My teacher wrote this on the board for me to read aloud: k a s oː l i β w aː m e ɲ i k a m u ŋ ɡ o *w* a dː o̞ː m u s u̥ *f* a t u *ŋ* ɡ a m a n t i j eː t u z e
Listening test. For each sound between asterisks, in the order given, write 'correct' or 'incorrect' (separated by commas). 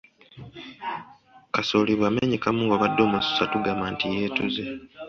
incorrect, incorrect, incorrect